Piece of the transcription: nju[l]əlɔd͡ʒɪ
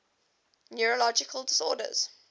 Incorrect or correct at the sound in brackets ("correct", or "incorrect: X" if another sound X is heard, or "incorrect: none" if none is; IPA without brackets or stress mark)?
incorrect: ɹ